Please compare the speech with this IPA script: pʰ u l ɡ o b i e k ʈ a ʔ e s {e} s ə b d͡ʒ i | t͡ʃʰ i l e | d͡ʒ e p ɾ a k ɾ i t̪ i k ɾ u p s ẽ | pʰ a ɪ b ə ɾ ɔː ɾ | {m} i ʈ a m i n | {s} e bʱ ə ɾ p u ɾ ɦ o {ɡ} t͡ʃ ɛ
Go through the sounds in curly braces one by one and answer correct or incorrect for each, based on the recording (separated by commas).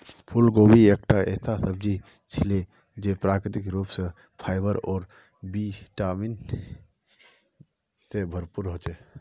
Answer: incorrect, incorrect, correct, incorrect